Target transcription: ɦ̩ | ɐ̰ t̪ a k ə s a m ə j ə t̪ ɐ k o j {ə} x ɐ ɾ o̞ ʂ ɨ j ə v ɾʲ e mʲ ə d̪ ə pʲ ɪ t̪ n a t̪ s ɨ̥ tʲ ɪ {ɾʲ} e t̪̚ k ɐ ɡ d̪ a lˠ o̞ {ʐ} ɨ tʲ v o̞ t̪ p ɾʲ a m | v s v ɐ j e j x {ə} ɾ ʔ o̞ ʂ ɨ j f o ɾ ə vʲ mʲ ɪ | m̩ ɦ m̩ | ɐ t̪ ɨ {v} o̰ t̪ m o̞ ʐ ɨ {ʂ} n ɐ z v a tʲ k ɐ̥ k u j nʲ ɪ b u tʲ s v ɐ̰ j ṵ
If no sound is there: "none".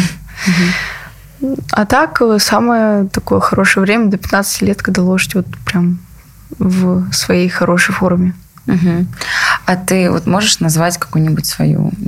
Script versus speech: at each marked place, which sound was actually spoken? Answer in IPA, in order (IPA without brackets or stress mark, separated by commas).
ə, lʲ, ʐ, ɐ, v, ʂ